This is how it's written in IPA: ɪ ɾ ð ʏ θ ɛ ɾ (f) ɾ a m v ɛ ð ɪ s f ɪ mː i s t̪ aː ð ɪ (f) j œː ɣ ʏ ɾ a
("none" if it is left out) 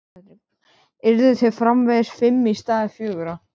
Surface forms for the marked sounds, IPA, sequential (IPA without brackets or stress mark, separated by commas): f, f